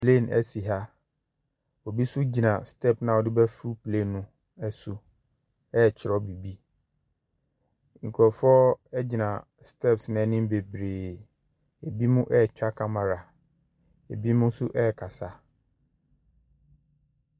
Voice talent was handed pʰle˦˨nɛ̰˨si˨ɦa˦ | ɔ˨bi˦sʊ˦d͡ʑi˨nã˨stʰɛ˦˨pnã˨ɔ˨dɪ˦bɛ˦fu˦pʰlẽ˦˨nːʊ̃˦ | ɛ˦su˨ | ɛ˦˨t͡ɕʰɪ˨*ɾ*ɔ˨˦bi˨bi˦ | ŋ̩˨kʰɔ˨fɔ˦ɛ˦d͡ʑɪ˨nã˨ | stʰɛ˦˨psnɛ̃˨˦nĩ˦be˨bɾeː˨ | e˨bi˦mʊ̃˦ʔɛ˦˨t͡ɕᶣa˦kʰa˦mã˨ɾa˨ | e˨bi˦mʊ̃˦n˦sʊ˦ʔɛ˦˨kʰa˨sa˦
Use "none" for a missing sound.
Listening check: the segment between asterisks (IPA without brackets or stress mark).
ɾ